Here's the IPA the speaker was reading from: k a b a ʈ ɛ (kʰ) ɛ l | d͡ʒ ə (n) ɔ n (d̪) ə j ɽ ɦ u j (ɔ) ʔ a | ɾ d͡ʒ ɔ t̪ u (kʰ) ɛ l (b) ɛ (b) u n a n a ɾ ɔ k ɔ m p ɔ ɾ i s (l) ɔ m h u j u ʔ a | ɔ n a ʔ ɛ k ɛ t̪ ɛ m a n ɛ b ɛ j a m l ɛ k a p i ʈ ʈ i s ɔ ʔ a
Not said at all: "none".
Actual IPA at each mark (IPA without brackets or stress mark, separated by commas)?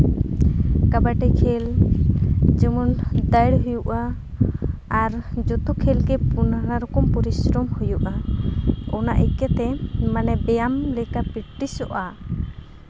kʰ, m, d̪, u, kʰ, ɡ, p, ɾ